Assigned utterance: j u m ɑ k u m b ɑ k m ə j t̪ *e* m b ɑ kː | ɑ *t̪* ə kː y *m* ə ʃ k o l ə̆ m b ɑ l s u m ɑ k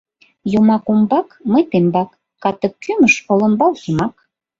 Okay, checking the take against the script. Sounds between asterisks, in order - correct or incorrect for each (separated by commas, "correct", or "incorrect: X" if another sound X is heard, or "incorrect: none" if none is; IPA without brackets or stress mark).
correct, correct, correct